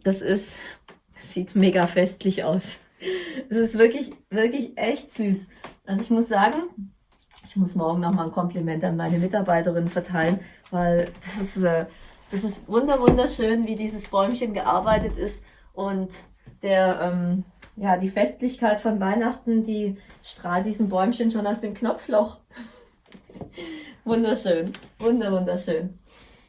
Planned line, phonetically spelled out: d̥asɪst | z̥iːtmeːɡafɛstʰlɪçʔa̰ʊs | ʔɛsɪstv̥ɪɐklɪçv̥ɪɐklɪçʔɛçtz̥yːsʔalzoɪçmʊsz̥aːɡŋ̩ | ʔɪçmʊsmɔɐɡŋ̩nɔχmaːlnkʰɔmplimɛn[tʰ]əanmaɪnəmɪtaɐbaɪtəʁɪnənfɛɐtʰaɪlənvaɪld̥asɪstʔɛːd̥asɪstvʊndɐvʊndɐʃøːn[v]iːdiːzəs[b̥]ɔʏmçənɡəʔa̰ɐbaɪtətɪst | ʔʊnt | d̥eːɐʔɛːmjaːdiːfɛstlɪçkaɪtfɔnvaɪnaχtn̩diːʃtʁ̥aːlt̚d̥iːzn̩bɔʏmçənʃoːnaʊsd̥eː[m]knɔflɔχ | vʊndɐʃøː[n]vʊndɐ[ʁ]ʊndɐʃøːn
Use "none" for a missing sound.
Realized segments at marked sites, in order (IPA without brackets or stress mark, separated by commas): t, v, b̥, m, n, v